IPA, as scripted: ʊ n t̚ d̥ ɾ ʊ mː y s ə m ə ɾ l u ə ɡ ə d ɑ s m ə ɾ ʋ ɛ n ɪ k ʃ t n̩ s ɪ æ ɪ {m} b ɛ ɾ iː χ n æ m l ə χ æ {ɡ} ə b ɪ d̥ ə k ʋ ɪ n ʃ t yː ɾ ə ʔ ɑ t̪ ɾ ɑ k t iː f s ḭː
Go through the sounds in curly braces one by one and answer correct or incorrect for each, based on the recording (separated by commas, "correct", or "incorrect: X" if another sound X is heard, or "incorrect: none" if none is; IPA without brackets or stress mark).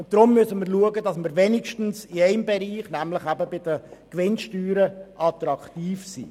correct, incorrect: b